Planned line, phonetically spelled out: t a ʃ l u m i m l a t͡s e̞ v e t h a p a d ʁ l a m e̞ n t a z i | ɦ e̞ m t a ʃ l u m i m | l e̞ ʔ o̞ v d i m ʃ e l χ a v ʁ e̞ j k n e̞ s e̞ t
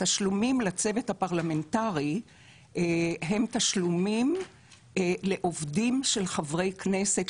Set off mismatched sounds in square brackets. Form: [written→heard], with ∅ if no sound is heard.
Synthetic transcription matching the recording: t a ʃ l u m i m l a t͡s e̞ v e t h a p a [d→∅] ʁ l a m e̞ n t a [z→ʁ] i | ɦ e̞ m t a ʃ l u m i m | l e̞ ʔ o̞ v d i m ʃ e l χ a v ʁ e̞ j k n e̞ s e̞ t